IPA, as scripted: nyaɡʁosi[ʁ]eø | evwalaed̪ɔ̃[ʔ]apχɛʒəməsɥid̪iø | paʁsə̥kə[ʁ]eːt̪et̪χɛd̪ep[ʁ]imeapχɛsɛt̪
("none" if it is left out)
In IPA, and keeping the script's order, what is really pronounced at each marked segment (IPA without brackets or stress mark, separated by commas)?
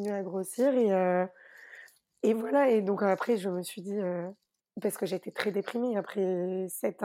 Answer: ʁ, k, ʒ, χ